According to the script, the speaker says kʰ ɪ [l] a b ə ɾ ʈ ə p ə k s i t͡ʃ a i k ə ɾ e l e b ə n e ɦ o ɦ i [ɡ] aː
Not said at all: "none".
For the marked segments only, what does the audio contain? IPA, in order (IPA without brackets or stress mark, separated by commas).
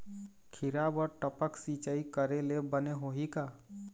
ɾ, k